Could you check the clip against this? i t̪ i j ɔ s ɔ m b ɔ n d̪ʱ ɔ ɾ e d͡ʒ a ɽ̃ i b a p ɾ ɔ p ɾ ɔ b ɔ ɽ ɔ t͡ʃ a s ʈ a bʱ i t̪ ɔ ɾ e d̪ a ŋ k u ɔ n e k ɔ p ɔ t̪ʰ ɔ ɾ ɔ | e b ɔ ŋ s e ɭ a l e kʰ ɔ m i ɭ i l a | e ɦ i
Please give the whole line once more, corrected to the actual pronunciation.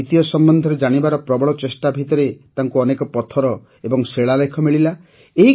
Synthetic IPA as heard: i t̪ i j ɔ s ɔ m b ɔ n d̪ʱ ɔ ɾ e d͡ʒ a ɽ̃ i b a ɾ ɔ p ɾ ɔ b ɔ ɭ ɔ t͡ʃ e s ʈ a bʱ i t̪ ɔ ɾ e t̪ a ŋ k u ɔ n e k ɔ p ɔ t̪ʰ ɔ ɾ ɔ | e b ɔ ŋ s e ɭ a l e kʰ ɔ m i ɭ i l a | e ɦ i